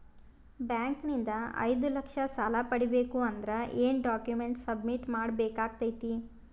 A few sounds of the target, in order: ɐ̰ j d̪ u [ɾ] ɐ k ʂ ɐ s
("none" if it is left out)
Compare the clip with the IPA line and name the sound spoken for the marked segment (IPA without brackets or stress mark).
l